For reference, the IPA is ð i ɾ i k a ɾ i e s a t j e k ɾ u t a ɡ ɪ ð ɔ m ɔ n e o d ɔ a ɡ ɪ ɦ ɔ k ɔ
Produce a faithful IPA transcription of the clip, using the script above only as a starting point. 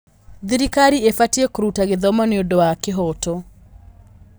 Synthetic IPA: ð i ɾ i k a ɾ i e f a t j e k ɾ u t a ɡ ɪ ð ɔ m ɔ n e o d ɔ a k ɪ ɦ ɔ t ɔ